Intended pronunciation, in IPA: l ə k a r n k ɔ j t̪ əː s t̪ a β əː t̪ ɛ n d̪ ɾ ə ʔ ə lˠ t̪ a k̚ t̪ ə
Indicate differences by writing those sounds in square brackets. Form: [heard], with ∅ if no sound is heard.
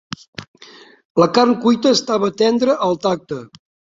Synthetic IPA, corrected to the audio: l ə k a r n k [u] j t̪ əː s t̪ a β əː t̪ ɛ n d̪ ɾ ə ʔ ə lˠ t̪ a k̚ t̪ ə